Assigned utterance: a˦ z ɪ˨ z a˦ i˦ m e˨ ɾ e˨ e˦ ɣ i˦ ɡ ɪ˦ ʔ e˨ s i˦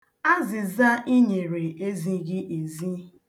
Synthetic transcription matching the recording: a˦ z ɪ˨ z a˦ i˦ ɲ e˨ ɾ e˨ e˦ z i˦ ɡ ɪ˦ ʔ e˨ z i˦